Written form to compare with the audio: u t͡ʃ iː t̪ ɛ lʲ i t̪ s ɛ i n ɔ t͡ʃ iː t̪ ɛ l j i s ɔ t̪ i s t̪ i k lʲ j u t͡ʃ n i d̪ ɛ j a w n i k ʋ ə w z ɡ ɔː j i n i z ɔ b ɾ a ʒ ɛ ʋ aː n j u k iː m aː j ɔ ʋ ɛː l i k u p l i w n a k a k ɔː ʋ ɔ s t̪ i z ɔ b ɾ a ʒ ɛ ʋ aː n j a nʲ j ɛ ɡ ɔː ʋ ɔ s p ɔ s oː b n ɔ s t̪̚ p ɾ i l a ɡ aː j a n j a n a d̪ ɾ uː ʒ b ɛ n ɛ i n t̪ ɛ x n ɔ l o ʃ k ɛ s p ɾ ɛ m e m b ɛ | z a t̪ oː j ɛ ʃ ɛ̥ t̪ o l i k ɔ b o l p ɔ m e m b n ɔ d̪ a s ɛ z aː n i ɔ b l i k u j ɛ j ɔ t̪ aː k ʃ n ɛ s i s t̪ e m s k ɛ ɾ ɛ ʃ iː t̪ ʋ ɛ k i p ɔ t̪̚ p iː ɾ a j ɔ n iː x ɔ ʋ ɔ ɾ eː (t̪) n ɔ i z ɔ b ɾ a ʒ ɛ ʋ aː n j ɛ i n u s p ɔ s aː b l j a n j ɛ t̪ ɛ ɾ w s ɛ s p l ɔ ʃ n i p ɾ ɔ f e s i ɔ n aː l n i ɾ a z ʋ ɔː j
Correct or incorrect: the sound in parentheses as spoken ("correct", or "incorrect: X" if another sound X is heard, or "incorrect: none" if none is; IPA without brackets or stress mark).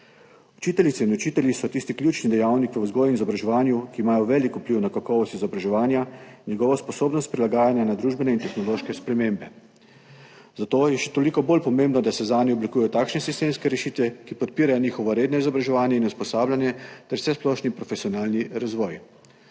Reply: incorrect: d̪